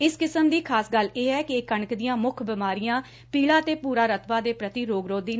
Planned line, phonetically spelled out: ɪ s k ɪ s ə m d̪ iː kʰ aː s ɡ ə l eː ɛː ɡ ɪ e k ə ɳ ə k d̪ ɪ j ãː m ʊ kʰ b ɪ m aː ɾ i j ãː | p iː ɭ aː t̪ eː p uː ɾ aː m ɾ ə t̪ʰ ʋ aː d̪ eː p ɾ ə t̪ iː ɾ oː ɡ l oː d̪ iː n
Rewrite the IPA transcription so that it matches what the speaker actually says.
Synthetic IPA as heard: ɪ s k ɪ s ə m d̪ iː kʰ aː s ɡ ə l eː ɛː k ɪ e k ə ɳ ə k d̪ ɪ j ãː m ʊ kʰ b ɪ m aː ɾ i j ãː | p iː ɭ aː t̪ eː p uː ɾ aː ɾ ə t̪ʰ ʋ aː d̪ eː p ɾ ə t̪ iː ɾ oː ɡ ɾ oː d̪ iː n

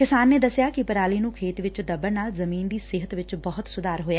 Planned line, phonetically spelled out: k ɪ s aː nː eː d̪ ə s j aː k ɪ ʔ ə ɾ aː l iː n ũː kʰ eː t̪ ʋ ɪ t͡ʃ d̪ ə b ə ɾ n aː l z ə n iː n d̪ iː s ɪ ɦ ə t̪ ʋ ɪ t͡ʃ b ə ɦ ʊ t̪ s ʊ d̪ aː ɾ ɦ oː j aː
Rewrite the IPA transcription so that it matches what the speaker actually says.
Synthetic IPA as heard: k ɪ s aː nː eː d̪ ə s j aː k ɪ p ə ɾ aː l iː n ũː kʰ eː t̪ ʋ ɪ t͡ʃ d̪ ə b ə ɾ n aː l z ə m iː n d̪ iː s ɪ ɦ ə t̪ ʋ ɪ t͡ʃ b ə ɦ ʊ t̪ s ʊ d̪ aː ɾ ɦ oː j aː

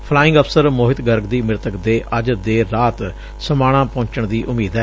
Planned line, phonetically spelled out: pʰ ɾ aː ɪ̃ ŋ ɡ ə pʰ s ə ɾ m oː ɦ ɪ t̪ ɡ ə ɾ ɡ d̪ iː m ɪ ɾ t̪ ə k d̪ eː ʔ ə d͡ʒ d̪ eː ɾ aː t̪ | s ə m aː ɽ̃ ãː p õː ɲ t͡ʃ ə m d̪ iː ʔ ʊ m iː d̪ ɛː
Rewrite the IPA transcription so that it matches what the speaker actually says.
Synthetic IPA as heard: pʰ l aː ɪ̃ ŋ ɡ ə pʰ s ə ɾ m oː ɦ ɪ t̪ ɡ ə ɾ ɡ d̪ iː m ɪ ɾ t̪ ə k d̪ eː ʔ ə d͡ʒ d̪ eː ɾ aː t̪ | s ə m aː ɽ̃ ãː p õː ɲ t͡ʃ ə ɳ d̪ iː ʔ ʊ m iː d̪ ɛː

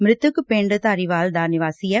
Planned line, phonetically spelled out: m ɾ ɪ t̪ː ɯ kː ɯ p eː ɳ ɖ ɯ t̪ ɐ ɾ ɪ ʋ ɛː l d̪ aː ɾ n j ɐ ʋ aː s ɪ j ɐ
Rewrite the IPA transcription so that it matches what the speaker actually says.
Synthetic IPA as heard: m ɾ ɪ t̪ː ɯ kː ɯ p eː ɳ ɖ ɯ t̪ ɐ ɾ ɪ ʋ aː l d̪ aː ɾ n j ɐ ʋ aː s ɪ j ɐ

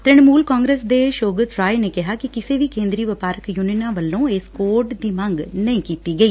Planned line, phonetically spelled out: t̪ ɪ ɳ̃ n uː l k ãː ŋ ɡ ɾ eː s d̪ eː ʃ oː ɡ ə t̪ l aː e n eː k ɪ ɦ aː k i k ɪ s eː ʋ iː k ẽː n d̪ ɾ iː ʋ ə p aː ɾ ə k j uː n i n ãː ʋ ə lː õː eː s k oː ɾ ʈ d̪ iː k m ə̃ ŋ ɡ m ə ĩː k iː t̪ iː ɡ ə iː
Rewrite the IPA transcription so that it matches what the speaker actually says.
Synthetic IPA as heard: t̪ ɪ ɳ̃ m uː l k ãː ŋ ɡ ɾ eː s d̪ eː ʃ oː ɡ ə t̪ ɾ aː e n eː k ɪ ɦ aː k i k ɪ s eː ʋ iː k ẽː n d̪ ɾ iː ʋ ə p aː ɾ ə k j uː n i n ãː ʋ ə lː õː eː s k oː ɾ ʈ d̪ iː m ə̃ ŋ ɡ n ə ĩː k iː t̪ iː ɡ ə iː

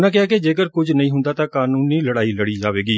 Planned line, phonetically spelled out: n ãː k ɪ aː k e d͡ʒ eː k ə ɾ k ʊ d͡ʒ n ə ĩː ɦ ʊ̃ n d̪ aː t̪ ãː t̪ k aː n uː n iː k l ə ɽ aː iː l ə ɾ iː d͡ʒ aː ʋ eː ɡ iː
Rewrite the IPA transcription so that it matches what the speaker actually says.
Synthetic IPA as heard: n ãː k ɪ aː k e d͡ʒ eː k ə ɾ k ʊ d͡ʒ n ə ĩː ɦ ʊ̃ n d̪ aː t̪ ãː k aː n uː n iː l ə ɽ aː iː l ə ɽ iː d͡ʒ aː ʋ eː ɡ iː

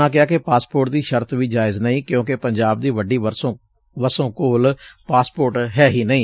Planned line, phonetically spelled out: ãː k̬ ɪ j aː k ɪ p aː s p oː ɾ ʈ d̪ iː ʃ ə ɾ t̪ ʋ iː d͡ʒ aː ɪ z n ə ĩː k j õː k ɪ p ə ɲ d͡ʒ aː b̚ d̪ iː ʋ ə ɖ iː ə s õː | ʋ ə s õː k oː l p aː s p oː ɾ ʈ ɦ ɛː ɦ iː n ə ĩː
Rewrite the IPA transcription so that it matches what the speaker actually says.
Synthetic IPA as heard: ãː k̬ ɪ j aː k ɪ p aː s p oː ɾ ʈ d̪ iː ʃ ə ɾ t̪ ʋ iː d͡ʒ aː ɪ z n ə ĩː k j õː k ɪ p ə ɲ d͡ʒ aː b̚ d̪ iː ʋ ə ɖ iː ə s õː | ʋ ə s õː k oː l p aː s p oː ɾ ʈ ɦ ɛː ɦ iː n ə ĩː

